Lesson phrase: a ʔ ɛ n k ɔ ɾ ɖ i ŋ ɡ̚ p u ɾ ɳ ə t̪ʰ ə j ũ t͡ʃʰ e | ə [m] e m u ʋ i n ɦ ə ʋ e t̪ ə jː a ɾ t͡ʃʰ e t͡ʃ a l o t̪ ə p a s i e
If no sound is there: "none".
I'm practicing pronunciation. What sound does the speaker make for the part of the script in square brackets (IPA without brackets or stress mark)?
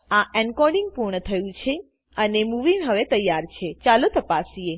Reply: n